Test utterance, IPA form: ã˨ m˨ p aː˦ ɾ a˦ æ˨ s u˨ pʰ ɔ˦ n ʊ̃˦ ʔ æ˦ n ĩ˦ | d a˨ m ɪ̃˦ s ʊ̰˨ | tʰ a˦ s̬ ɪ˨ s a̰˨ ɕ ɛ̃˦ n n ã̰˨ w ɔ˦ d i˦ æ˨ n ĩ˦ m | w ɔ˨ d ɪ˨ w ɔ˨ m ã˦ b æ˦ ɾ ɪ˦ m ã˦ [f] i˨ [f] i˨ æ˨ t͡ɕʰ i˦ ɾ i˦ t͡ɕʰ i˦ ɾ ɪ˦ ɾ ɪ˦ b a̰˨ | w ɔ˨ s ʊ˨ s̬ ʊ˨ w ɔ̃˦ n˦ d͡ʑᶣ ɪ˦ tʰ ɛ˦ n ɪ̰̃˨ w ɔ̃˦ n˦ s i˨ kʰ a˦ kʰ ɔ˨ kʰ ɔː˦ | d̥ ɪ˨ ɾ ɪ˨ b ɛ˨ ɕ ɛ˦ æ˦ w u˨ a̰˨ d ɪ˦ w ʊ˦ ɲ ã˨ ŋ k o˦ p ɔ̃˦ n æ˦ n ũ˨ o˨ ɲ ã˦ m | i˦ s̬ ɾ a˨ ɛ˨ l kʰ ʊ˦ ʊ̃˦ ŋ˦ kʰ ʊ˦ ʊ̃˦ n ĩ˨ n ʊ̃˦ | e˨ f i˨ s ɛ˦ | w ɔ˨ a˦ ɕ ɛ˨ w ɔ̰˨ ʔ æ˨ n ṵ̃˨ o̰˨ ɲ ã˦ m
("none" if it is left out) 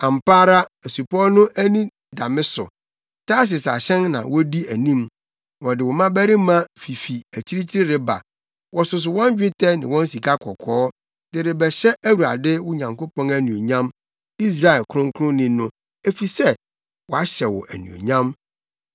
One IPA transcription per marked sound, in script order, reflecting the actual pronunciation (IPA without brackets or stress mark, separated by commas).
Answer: f, f